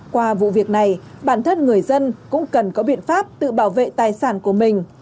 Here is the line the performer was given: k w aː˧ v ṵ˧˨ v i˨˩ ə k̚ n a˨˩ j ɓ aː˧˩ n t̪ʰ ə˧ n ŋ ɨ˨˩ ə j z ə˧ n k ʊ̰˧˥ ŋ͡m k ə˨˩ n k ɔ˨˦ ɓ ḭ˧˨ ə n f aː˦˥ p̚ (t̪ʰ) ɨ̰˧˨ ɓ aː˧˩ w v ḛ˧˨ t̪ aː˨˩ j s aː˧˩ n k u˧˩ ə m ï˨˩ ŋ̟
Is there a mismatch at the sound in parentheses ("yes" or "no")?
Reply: yes